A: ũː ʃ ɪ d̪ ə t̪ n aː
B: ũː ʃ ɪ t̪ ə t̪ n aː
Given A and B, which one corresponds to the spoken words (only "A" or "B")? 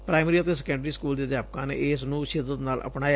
A